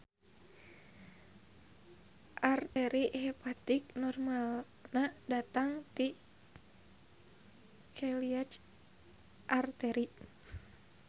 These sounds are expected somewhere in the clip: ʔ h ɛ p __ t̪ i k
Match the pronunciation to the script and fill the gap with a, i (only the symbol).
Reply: a